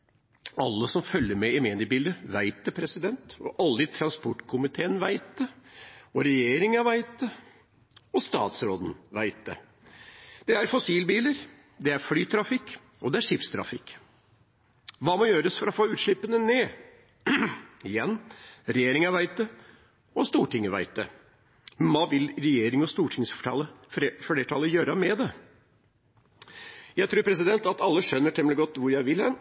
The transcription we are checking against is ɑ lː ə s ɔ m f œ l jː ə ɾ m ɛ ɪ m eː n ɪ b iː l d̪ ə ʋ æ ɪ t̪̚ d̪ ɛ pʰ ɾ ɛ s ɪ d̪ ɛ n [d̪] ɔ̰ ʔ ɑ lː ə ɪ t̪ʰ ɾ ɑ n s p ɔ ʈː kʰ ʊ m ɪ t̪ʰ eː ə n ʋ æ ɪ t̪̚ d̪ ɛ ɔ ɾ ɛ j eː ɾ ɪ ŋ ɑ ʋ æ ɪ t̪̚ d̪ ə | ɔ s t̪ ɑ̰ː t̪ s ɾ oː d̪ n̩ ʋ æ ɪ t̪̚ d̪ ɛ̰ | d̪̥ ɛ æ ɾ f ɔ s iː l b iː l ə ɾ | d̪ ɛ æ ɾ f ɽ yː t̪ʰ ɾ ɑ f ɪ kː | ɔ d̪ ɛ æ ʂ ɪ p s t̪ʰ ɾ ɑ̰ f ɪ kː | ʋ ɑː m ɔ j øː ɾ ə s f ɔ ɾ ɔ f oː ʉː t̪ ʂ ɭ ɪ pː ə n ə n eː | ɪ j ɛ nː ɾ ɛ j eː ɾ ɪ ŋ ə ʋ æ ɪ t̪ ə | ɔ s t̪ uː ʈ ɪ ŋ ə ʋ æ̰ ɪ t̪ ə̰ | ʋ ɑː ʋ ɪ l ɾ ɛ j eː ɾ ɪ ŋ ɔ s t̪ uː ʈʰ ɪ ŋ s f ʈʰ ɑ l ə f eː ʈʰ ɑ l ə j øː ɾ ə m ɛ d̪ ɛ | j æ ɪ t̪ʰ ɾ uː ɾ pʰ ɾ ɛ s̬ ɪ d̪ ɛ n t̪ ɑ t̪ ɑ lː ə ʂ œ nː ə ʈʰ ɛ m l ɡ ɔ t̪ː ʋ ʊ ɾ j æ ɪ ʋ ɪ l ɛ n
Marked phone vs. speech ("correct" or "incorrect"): incorrect